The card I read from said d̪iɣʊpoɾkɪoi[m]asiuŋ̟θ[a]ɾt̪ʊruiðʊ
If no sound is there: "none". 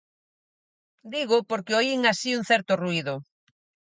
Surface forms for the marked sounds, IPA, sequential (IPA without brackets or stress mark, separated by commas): ŋ, ɛ